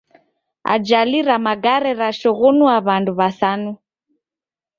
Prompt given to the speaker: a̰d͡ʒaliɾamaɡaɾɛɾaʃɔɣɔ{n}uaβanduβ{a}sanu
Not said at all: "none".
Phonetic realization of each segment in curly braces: n, a

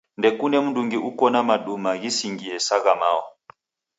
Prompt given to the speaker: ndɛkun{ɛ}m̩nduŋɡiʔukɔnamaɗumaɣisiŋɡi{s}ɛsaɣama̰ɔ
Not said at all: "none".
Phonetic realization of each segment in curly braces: ɛ, none

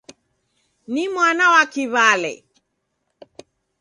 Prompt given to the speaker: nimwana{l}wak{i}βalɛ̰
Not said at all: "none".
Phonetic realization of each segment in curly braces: none, i

